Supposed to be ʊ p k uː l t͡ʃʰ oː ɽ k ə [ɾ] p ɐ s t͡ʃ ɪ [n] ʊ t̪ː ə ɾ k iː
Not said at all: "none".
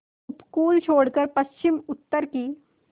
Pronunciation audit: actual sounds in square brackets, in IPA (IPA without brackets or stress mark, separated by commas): ɾ, m